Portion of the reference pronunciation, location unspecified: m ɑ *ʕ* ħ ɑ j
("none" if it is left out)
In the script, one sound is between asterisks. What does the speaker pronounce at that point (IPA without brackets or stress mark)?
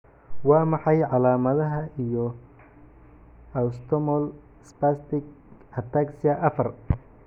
none